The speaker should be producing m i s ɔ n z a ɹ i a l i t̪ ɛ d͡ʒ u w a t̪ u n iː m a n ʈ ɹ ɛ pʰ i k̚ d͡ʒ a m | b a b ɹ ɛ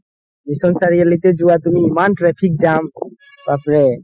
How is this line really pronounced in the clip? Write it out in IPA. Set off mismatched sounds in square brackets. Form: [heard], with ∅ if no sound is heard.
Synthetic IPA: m i s ɔ n [s] a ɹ i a l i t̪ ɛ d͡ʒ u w a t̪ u [m] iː m a n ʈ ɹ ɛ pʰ i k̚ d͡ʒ a m | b a [p] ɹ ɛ